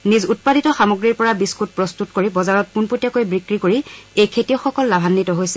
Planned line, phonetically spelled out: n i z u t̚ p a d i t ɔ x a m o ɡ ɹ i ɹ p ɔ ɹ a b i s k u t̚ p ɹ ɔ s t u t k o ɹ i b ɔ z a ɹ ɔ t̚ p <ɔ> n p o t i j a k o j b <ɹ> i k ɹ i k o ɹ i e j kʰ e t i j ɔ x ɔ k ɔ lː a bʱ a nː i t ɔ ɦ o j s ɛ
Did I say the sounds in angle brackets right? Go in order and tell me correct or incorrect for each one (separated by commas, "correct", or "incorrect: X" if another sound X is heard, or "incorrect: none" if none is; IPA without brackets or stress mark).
incorrect: u, correct